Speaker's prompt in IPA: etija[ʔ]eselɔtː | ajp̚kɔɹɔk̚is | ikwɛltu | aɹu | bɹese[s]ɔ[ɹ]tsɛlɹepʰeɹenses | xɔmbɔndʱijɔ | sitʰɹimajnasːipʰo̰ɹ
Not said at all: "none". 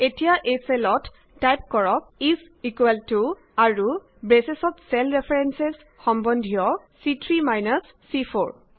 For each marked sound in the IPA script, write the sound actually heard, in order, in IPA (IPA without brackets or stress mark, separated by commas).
ʔ, s, none